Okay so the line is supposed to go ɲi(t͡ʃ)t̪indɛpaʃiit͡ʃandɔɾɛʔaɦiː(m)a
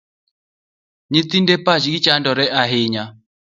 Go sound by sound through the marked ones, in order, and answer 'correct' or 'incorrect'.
incorrect: none, incorrect: ɲ

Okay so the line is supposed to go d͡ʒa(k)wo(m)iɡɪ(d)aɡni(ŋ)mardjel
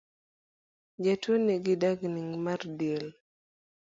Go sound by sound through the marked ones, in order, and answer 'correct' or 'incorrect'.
incorrect: t, incorrect: n, correct, correct

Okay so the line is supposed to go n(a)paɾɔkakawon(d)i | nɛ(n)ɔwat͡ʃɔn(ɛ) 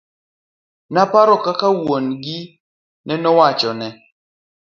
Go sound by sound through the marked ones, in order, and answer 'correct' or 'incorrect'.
correct, incorrect: ɡ, correct, correct

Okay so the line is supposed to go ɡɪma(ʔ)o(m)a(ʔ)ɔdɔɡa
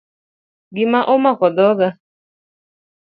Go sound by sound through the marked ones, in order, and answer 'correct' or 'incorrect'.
correct, correct, incorrect: k

